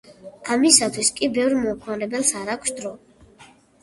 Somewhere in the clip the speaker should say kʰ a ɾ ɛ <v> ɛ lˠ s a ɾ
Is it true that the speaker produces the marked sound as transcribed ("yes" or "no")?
no